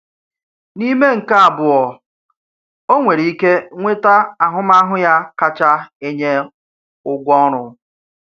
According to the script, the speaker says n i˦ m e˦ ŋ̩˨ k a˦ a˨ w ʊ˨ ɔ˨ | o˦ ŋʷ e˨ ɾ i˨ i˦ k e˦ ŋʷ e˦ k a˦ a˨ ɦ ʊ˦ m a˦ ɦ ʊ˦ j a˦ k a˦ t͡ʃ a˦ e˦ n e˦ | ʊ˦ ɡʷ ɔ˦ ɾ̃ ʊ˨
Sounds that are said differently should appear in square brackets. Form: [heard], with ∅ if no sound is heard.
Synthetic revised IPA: n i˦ m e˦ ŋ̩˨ k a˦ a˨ [b] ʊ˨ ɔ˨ | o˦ ŋʷ e˨ ɾ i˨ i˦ k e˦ ŋʷ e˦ [t] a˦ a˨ ɦ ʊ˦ m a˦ ɦ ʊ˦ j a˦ k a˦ t͡ʃ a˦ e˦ [ɲ] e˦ | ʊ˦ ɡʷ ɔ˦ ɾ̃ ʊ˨